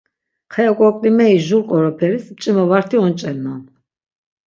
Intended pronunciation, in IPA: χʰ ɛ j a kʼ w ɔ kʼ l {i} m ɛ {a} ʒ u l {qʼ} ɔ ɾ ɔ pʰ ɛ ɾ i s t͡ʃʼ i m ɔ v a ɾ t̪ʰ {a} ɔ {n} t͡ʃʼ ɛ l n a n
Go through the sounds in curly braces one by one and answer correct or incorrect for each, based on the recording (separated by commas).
correct, incorrect, correct, incorrect, correct